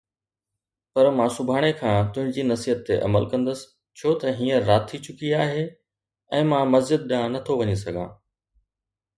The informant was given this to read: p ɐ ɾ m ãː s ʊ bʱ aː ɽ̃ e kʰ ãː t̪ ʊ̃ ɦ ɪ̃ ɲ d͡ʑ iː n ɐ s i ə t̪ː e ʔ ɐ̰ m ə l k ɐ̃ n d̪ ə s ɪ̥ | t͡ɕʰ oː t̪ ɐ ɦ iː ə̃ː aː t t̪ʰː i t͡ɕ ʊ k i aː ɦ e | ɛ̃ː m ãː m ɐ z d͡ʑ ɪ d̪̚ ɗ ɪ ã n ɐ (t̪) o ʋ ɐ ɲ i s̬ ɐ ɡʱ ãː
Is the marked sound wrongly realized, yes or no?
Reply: yes